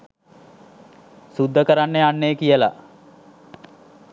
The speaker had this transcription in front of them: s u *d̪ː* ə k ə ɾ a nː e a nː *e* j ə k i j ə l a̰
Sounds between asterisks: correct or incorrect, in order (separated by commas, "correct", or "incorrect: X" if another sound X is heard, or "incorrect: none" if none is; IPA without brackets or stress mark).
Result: correct, correct